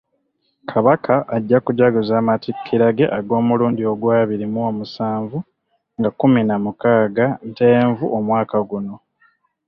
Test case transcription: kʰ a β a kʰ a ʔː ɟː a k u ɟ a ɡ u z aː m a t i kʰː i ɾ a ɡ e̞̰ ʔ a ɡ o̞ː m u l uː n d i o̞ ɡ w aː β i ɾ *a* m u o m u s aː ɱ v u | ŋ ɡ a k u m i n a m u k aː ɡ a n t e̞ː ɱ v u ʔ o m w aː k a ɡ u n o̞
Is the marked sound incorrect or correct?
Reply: incorrect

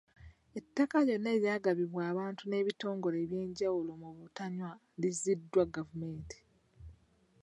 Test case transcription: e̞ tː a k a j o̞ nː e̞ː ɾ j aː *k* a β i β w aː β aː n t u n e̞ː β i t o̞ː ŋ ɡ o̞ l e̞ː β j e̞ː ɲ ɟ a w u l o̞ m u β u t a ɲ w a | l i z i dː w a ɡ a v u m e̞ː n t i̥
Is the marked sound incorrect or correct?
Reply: incorrect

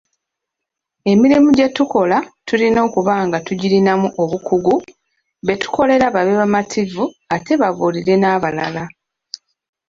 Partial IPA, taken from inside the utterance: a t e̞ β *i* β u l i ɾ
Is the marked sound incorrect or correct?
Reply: incorrect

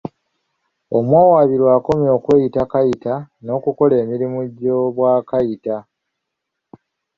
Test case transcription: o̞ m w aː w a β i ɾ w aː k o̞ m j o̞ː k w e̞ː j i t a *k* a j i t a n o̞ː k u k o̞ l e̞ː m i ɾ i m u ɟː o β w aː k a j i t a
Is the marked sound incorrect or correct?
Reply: correct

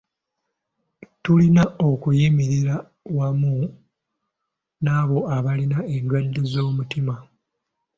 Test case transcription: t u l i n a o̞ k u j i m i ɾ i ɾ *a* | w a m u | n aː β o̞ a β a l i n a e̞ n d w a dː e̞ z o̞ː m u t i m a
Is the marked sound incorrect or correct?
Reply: correct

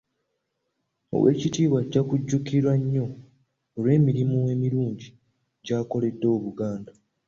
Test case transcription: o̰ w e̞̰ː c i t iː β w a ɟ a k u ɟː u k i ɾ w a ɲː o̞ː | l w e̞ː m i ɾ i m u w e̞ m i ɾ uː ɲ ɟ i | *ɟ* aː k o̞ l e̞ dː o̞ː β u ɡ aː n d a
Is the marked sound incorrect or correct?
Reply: correct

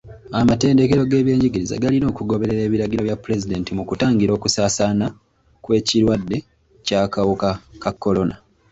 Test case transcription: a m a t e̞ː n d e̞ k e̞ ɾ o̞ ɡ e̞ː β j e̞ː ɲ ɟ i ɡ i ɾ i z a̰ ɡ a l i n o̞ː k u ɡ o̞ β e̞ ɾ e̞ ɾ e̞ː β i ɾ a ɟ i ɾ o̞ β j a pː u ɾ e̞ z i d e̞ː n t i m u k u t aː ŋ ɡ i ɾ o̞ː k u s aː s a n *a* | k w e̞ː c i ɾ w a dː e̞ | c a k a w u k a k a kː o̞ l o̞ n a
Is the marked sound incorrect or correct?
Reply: correct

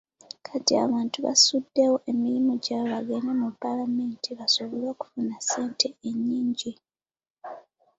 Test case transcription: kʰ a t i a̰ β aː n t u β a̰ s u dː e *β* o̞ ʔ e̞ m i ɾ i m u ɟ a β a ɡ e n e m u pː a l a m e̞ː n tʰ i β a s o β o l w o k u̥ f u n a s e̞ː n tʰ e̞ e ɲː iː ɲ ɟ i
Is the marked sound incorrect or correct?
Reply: incorrect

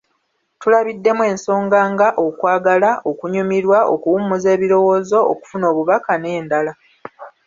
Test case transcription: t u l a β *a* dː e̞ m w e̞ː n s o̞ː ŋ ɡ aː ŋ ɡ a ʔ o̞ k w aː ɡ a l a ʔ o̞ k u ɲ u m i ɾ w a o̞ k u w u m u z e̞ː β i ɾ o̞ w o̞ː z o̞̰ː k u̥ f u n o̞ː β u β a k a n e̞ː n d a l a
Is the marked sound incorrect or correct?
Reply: incorrect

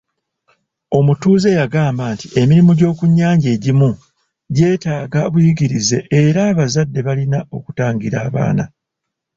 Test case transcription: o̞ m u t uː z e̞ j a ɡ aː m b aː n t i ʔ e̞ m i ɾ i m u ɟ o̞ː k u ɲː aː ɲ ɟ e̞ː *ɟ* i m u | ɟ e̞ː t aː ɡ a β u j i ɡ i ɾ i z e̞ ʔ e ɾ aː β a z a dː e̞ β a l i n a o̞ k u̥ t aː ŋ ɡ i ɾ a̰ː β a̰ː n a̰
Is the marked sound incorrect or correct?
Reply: correct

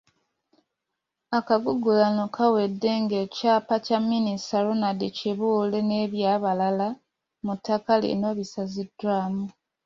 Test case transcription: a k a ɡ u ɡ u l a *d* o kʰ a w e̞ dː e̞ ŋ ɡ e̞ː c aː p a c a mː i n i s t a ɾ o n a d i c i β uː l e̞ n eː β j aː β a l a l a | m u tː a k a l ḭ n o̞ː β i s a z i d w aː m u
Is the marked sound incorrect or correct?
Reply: incorrect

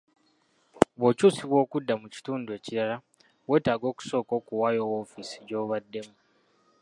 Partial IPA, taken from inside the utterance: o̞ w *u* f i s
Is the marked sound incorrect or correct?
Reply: incorrect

